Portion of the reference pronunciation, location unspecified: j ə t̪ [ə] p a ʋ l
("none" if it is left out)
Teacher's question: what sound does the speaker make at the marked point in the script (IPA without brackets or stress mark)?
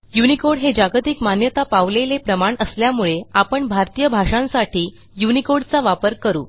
a